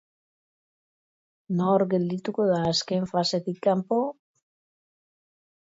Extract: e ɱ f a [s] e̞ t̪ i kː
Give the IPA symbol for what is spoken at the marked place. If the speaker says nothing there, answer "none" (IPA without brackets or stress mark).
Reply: s